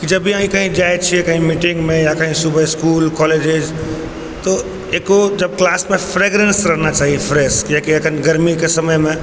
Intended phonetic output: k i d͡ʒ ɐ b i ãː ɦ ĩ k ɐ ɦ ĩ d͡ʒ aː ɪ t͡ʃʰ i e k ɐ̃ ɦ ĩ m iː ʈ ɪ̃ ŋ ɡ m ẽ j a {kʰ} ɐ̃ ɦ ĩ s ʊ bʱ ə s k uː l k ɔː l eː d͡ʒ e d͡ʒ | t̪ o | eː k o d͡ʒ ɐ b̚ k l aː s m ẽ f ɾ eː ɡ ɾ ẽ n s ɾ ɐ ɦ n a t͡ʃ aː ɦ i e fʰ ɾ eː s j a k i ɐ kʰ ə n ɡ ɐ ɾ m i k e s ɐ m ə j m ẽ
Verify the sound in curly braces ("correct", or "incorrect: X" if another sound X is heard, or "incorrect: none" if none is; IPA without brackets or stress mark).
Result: incorrect: k